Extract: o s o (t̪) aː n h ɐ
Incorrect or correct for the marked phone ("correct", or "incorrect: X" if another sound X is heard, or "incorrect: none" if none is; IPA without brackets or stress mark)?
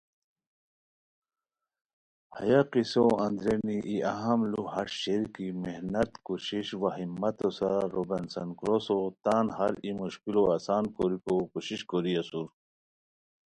correct